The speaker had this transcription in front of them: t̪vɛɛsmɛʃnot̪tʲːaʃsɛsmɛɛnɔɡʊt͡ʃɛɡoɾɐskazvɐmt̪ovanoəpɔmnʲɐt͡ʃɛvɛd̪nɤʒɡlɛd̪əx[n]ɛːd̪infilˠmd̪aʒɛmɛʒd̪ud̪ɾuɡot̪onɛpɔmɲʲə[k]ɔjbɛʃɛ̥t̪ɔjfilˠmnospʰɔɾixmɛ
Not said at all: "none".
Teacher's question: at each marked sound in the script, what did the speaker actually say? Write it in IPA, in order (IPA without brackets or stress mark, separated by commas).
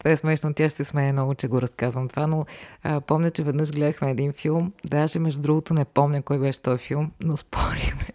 m, k